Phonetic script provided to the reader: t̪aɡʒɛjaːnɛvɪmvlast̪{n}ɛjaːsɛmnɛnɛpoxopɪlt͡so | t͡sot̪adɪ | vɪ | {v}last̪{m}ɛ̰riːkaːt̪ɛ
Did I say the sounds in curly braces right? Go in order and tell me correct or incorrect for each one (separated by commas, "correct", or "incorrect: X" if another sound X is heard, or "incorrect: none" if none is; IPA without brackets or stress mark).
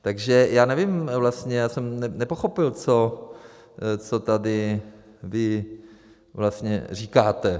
incorrect: ɲ, correct, incorrect: ɲ